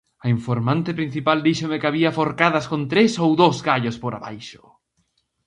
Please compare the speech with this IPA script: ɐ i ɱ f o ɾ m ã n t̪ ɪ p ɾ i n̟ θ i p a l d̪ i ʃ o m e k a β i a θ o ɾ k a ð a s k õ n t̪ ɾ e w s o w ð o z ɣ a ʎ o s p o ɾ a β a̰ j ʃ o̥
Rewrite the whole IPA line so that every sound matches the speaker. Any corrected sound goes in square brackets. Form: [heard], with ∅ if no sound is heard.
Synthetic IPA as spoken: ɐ i ɱ f o ɾ m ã n t̪ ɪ p ɾ i n̟ θ i p a l d̪ i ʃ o m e k a β i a [f] o ɾ k a ð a s k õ n t̪ ɾ e [∅] s o w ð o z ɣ a ʎ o s p o ɾ a β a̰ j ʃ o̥